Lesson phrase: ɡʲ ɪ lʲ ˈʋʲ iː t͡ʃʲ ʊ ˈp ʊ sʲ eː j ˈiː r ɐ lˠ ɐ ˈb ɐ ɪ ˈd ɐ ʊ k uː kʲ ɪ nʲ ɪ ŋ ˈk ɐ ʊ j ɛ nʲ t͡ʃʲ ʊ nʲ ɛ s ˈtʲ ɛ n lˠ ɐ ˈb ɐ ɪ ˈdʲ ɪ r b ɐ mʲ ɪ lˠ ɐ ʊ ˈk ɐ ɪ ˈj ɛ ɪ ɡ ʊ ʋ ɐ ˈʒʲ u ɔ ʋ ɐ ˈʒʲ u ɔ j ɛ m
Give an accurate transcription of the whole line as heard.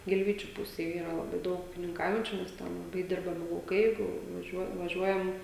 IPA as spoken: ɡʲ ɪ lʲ ˈʋʲ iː t͡ʃʲ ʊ ˈp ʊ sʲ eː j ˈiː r ɐ lˠ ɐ ˈb ɐ ɪ ˈd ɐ ʊ k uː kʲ ɪ nʲ ɪ ŋ ˈk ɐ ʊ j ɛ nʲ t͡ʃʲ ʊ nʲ ɛ s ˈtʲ ɛ n lˠ ɐ ˈb ɐ ɪ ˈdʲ ɪ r b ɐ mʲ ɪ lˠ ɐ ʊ ˈk ɐ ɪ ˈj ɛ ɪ ɡ ʊ ʋ ɐ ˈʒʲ u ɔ ʋ ɐ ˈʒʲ u ɔ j ɛ m